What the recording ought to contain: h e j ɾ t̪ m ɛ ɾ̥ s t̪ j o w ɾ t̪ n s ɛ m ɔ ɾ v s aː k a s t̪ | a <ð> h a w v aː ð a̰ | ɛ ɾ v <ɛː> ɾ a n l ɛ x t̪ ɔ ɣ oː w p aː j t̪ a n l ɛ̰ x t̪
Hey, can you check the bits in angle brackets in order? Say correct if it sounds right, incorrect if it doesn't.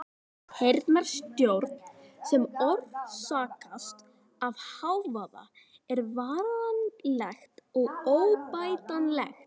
incorrect, incorrect

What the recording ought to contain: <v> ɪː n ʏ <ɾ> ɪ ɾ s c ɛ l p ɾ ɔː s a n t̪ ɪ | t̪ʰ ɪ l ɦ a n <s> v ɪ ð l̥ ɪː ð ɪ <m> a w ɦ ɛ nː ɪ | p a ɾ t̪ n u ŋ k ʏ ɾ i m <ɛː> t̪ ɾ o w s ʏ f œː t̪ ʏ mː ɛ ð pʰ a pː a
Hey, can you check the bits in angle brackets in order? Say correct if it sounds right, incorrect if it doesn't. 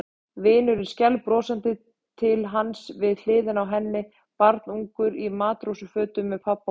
correct, correct, correct, incorrect, incorrect

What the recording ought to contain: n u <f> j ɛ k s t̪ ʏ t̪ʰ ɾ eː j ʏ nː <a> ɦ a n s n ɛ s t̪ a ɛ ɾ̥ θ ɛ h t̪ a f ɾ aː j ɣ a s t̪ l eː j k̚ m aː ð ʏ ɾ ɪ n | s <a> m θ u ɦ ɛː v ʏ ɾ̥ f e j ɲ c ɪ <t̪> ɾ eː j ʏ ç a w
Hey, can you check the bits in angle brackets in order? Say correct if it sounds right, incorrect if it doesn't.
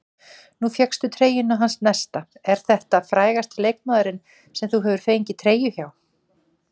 correct, correct, incorrect, incorrect

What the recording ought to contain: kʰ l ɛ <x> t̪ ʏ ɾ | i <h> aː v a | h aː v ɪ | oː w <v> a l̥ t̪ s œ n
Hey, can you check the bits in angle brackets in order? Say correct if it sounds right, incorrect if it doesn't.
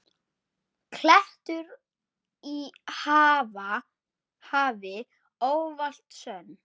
incorrect, correct, correct

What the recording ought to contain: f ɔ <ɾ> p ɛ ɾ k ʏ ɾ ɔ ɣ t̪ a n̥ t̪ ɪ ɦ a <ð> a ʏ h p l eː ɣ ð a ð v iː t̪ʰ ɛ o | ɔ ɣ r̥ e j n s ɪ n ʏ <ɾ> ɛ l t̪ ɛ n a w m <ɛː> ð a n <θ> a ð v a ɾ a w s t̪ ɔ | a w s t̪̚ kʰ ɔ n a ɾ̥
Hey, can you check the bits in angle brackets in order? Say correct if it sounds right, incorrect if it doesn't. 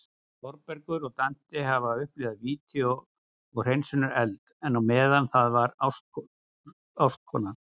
correct, incorrect, correct, correct, correct

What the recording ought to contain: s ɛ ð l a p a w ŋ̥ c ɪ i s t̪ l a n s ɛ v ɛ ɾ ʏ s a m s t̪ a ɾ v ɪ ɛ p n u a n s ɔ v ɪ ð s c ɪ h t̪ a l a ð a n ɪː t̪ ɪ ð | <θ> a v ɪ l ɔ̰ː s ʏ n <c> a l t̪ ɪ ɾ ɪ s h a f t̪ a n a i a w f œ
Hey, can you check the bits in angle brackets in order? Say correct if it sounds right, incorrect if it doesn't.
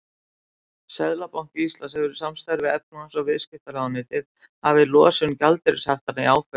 incorrect, correct

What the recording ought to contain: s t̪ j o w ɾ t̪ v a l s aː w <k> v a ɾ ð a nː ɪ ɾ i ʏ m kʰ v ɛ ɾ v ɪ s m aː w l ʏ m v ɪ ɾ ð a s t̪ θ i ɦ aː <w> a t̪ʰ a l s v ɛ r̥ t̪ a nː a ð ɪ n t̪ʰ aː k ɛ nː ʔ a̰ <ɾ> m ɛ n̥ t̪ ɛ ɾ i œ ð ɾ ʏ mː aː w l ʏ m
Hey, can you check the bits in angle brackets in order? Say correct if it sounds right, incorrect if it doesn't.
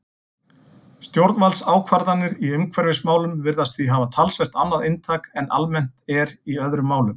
incorrect, incorrect, incorrect

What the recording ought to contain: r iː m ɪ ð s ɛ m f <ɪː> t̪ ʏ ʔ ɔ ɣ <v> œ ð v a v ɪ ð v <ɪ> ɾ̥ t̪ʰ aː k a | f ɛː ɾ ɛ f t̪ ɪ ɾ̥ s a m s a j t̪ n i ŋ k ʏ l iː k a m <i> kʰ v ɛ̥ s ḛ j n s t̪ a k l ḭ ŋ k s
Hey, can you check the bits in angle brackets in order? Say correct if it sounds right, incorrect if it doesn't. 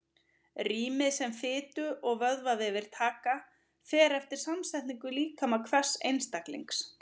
correct, correct, correct, incorrect

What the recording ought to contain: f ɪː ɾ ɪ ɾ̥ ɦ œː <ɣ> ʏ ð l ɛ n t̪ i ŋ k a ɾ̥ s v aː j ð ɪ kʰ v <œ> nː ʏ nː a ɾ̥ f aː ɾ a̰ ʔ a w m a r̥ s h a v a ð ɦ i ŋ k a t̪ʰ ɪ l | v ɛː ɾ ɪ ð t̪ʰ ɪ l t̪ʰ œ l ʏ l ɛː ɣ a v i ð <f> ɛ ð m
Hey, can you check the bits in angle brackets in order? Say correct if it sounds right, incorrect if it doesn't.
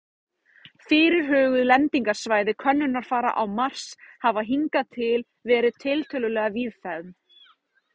correct, correct, correct

